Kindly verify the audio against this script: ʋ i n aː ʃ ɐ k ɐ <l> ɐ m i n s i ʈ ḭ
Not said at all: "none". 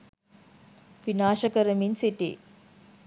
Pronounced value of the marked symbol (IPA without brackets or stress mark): ɾ